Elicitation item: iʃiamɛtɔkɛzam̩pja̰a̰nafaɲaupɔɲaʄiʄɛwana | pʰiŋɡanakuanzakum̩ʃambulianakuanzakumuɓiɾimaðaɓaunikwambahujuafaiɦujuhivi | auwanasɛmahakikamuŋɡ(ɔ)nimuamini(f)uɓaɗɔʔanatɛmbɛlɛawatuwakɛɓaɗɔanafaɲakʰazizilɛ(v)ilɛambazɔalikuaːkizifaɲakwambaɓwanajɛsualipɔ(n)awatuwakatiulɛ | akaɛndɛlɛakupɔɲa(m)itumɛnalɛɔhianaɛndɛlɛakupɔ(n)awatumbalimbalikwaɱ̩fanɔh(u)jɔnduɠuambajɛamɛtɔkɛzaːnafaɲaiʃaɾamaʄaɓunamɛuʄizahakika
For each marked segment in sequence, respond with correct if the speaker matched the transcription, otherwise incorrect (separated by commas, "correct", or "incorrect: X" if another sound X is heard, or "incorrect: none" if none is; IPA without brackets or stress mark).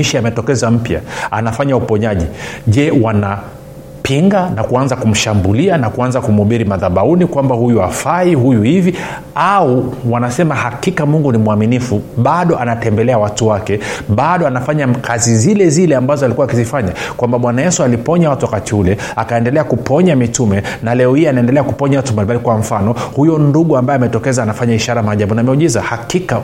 incorrect: u, correct, incorrect: z, incorrect: ɲ, correct, incorrect: ɲ, correct